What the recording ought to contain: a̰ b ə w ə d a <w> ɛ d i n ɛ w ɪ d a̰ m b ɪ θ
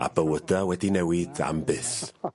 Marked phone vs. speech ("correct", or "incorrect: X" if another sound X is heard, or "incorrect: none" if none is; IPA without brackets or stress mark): correct